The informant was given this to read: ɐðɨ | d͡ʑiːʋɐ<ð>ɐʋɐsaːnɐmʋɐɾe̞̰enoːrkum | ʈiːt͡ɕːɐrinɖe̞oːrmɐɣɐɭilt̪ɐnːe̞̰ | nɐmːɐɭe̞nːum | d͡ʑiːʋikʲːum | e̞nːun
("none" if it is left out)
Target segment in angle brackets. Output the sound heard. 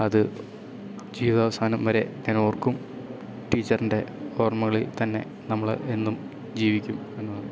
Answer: ð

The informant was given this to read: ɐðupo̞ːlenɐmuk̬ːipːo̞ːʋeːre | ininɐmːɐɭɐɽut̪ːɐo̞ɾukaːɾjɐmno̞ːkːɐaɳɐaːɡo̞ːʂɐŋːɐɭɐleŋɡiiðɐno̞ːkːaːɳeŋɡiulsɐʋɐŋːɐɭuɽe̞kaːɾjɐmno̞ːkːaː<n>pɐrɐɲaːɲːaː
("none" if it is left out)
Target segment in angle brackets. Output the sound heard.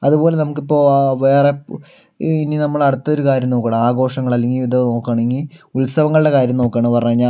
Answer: ɳ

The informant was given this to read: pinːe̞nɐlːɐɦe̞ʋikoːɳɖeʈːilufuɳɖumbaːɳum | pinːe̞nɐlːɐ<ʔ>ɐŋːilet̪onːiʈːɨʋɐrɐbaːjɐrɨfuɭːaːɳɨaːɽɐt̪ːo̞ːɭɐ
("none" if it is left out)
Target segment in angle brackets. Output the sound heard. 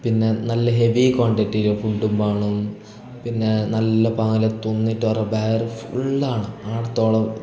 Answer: p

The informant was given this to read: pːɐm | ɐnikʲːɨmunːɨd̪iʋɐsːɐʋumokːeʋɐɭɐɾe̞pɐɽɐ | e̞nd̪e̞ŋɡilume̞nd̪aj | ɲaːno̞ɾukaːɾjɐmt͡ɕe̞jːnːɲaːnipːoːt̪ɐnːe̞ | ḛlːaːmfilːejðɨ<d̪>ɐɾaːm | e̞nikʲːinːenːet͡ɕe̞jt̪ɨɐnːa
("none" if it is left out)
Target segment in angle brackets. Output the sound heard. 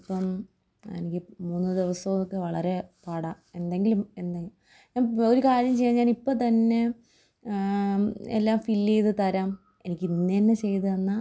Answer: t̪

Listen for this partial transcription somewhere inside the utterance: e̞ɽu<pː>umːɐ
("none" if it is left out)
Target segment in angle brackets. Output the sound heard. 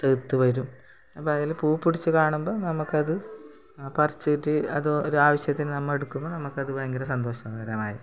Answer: kː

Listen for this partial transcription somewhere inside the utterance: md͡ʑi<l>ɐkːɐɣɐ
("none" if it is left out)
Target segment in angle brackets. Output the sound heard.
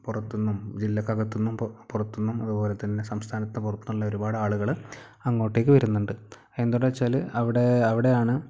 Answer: lː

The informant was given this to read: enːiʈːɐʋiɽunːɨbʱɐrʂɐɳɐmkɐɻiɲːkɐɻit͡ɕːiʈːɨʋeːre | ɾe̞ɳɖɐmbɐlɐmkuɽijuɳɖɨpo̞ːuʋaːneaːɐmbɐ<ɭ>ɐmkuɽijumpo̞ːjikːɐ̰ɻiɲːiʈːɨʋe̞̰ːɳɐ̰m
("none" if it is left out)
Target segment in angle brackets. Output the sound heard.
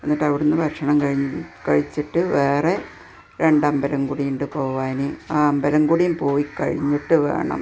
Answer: l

